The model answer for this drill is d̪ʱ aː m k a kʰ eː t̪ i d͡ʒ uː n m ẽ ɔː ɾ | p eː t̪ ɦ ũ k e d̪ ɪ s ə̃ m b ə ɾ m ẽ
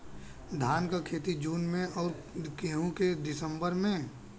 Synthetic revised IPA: d̪ʱ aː n k a kʰ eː t̪ i d͡ʒ uː n m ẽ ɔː ɾ | k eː ɦ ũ k e d̪ ɪ s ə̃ m b ə ɾ m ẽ